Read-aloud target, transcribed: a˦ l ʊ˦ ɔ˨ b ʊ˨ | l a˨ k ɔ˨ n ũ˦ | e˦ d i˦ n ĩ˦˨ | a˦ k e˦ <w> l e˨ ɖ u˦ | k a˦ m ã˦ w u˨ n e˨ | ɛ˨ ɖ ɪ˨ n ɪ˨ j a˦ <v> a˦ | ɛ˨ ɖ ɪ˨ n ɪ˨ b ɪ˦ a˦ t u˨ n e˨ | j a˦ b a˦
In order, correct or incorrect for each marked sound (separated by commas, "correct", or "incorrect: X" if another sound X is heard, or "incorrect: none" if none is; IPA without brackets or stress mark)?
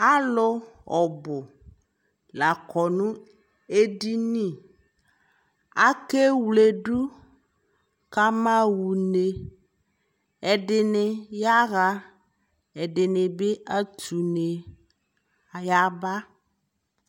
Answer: correct, incorrect: ɣ